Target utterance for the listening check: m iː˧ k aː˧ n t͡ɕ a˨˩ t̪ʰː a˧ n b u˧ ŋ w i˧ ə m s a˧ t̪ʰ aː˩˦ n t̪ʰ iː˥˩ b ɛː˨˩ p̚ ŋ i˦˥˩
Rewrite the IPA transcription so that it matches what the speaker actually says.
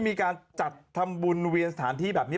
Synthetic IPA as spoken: m iː˧ k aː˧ n t͡ɕ a˨˩ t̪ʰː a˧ m b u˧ n w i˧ ə n s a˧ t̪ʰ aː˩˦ n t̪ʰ iː˥˩ b ɛː˨˩ p̚ n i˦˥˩